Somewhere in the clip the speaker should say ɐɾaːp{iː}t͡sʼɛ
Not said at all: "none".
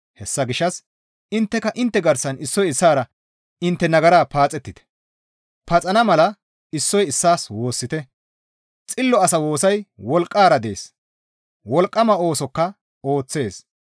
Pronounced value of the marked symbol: aː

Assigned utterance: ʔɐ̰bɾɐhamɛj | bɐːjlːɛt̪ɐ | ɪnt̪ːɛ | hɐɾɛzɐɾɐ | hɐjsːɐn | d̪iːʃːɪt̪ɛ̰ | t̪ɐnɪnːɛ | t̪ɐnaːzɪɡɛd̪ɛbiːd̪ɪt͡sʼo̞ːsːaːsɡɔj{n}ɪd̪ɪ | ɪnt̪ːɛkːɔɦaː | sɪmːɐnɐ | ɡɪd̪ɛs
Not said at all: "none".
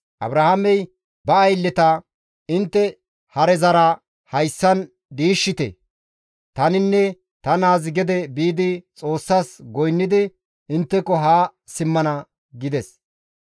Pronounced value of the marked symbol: nː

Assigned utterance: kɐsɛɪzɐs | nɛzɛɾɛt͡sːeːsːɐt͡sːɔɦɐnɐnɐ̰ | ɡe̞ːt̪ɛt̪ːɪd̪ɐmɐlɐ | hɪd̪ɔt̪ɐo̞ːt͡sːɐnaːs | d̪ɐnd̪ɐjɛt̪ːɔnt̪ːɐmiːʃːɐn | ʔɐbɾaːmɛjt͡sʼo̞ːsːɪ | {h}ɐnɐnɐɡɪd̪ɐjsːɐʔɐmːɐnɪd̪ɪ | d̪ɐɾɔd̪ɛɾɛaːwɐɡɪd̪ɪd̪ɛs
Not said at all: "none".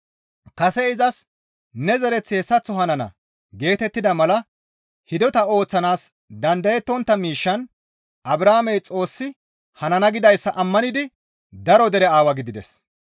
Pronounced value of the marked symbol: h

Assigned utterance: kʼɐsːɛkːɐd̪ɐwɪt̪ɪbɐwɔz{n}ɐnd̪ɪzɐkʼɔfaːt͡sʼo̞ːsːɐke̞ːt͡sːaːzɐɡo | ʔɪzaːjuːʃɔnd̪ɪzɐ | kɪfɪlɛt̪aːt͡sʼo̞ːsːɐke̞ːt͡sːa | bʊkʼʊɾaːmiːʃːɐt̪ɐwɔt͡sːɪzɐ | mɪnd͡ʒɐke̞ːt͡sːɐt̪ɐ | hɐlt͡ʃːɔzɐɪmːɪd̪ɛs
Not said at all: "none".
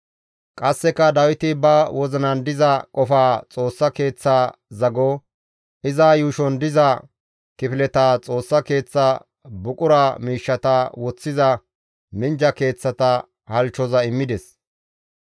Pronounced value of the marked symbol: n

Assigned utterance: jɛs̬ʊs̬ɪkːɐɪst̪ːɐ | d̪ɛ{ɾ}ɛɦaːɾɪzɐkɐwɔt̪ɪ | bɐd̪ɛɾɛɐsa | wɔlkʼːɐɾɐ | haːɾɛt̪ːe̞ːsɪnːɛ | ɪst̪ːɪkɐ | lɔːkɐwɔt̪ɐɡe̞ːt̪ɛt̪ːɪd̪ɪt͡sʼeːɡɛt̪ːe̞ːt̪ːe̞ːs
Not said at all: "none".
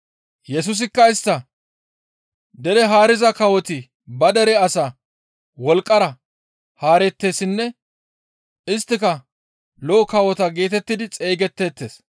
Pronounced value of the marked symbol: ɾ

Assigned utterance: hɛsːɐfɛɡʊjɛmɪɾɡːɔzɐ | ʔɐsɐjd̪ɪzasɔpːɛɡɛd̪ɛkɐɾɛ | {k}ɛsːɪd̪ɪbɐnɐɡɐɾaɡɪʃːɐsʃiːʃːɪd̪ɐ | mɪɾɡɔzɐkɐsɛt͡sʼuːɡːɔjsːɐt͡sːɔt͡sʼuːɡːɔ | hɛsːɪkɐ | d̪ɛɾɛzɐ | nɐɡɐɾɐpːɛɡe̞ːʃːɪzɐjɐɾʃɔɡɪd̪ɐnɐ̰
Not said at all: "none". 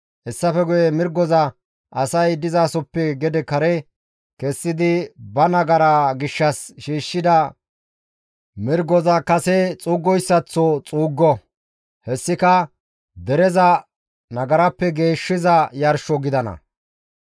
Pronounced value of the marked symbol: k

